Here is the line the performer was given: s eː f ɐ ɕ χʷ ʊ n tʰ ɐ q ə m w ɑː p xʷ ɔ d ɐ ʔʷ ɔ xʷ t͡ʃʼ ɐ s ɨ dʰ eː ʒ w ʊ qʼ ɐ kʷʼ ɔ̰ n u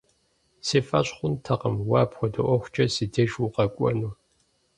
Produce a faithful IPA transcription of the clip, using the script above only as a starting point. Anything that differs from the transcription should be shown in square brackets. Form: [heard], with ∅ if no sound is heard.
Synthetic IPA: s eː f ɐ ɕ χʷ ʊ n tʰ ɐ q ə m w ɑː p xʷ ɔ d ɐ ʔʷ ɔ xʷ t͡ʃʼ ɐ s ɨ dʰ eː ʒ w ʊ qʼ ɐ kʷʼ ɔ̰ n u